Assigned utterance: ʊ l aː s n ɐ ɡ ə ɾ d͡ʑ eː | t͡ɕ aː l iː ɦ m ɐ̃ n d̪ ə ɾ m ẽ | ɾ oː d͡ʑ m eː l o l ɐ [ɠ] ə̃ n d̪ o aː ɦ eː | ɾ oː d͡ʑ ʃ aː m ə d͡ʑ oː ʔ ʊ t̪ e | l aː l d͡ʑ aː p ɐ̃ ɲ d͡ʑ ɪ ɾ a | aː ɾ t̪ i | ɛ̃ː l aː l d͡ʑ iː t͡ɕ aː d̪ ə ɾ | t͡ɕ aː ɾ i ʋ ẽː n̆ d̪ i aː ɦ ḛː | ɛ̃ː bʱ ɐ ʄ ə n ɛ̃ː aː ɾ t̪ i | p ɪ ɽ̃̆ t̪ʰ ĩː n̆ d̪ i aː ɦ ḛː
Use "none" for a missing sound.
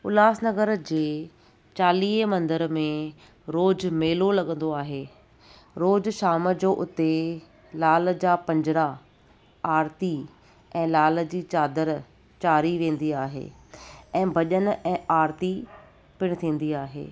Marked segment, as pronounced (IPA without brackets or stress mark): ɠ